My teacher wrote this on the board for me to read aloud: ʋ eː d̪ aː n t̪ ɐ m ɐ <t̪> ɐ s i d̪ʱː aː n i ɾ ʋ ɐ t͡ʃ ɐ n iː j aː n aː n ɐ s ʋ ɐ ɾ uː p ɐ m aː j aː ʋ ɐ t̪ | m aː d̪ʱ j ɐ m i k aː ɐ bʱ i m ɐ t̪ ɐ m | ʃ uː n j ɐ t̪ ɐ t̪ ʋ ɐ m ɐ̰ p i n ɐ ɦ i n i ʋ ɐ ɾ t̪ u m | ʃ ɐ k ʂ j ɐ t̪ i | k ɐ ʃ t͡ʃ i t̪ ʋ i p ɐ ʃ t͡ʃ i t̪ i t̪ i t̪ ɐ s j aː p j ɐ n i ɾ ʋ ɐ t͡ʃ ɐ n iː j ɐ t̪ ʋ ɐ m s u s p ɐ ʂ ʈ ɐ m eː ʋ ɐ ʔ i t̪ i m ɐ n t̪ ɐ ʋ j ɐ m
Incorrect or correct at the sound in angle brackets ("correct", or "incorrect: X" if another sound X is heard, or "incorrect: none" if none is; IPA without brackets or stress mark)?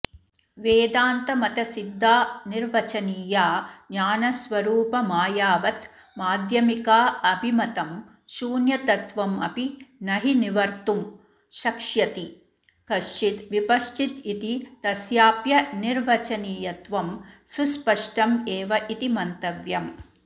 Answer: correct